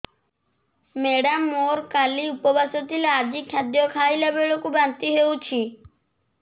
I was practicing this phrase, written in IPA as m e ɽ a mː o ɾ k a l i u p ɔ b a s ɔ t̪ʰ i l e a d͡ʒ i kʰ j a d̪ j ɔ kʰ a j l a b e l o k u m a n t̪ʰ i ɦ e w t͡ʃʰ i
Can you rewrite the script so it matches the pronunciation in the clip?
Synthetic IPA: m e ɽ a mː o ɾ k a l i u p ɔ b a s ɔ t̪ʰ i l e a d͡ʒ i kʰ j a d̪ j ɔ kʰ a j l a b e ɭ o k u b a n t̪ i ɦ e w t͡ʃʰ i